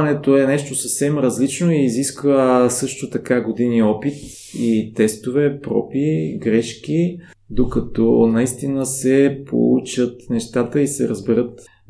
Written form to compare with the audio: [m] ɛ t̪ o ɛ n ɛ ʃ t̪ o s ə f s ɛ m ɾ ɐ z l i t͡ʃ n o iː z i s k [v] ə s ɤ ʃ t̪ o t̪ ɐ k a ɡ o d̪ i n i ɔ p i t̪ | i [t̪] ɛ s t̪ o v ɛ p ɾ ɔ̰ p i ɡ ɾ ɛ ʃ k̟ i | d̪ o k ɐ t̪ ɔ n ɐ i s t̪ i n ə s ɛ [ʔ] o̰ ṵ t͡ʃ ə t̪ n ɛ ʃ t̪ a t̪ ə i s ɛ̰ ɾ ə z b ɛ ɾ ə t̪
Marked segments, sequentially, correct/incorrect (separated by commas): incorrect, correct, correct, incorrect